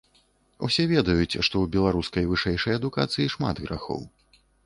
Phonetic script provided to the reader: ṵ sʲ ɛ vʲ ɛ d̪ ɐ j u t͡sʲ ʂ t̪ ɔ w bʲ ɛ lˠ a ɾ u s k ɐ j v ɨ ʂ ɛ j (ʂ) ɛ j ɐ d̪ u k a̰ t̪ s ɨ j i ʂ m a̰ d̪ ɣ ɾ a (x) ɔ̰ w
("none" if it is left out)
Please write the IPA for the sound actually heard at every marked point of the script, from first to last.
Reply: ʂ, x

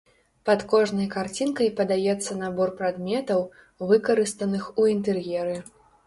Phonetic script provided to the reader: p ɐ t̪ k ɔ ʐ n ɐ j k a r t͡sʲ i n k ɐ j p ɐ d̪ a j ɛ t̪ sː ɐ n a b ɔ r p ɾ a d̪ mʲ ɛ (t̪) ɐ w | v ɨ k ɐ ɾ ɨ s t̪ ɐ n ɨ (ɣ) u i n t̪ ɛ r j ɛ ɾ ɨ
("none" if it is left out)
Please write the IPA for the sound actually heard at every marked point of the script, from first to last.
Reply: t̪, x

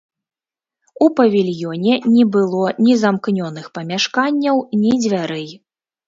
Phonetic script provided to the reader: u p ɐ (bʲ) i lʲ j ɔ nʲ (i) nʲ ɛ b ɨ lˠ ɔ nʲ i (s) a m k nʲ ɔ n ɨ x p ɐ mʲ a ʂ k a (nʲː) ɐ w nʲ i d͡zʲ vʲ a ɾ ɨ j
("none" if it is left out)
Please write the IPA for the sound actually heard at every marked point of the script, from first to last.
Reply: vʲ, ɛ, z, nʲː

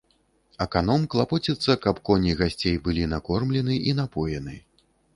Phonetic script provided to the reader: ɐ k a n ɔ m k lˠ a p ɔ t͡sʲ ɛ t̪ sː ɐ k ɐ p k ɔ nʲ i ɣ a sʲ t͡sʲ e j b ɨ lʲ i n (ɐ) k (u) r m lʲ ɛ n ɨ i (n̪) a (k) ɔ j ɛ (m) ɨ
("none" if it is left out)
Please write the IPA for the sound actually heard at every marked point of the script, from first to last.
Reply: a, ɔ, n̪, p, n

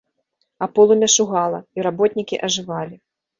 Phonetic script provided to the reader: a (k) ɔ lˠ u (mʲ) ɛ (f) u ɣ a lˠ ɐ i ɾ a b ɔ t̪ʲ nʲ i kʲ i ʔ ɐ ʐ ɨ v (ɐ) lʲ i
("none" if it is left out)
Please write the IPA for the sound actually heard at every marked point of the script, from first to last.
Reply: p, mʲ, ʂ, a

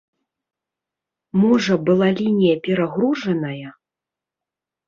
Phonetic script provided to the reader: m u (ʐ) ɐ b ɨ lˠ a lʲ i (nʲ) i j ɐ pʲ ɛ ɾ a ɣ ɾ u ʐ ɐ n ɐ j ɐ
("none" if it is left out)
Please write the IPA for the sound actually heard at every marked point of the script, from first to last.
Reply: ʐ, nʲ

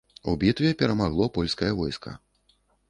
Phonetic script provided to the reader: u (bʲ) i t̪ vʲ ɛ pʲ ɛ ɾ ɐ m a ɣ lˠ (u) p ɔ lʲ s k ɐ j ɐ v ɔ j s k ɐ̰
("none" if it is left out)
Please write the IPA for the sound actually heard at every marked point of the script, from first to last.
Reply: bʲ, ɔ

